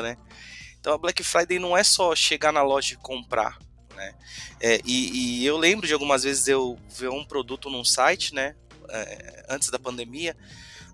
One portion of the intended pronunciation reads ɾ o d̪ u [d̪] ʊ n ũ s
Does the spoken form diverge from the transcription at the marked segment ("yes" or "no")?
yes